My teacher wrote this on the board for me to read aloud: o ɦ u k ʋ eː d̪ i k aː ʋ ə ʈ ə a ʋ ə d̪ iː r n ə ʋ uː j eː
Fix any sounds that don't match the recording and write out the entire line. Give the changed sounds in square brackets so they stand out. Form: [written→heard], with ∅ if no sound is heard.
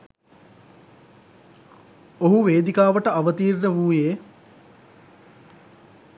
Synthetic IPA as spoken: o ɦ u [k→∅] ʋ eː d̪ i k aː ʋ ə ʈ ə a ʋ ə [d̪→t̪] iː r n ə ʋ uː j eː